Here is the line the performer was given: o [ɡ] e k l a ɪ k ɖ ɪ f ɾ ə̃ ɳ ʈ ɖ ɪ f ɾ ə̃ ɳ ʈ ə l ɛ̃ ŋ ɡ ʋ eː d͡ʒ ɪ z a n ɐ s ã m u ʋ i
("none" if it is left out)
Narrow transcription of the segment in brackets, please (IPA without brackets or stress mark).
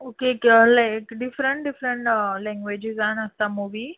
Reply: k